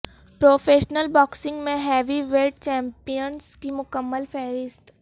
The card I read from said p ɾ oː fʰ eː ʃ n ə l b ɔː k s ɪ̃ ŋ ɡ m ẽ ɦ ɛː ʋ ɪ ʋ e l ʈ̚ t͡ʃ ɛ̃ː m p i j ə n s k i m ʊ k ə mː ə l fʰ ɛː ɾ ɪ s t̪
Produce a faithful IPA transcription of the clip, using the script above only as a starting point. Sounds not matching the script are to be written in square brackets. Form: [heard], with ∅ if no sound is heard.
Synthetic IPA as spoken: p ɾ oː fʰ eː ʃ n ə l b ɔː k s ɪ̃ ŋ ɡ m ẽ ɦ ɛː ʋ [i] ʋ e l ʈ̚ t͡ʃ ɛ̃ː m p i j ə n s k i m ʊ k ə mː ə l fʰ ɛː ɾ ɪ s t̪